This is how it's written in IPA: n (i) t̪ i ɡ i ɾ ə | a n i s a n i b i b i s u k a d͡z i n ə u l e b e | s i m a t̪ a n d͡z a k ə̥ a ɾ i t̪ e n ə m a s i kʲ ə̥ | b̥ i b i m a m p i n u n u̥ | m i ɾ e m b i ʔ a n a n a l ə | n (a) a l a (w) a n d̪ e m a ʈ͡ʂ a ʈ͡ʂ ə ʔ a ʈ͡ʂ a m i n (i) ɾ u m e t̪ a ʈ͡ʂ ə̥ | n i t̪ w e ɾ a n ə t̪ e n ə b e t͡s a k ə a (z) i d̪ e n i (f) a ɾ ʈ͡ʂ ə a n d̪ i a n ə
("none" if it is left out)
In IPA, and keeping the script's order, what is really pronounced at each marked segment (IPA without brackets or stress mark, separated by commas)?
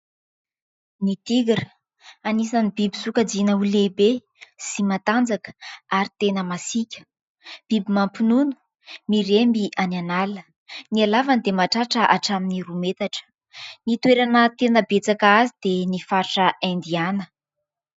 i, i, v, i, z, f